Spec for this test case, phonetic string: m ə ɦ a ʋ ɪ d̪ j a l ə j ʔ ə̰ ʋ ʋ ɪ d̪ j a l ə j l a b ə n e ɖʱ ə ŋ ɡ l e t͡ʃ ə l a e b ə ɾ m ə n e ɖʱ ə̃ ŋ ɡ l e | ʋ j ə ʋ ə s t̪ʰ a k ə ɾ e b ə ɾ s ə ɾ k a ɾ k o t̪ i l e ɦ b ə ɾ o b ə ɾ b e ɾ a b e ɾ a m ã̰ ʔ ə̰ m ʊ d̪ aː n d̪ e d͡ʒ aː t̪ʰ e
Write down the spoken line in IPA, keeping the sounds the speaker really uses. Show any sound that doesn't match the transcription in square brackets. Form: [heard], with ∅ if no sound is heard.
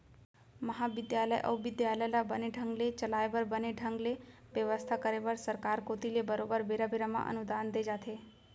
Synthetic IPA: m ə ɦ a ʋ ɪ d̪ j a l ə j ʔ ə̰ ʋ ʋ ɪ d̪ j a l ə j l a b ə n e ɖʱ ə ŋ ɡ l e t͡ʃ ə l a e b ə ɾ [b] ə n e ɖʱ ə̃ ŋ ɡ l e | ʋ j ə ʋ ə s t̪ʰ a k ə ɾ e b ə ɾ s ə ɾ k a ɾ k o t̪ i l e [∅] b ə ɾ o b ə ɾ b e ɾ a b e ɾ a m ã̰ ʔ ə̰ [n] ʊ d̪ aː n d̪ e d͡ʒ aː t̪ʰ e